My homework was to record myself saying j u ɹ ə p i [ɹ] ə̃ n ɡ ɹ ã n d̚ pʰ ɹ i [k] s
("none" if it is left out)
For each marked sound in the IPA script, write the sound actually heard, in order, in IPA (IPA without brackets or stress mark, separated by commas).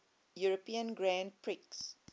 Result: none, k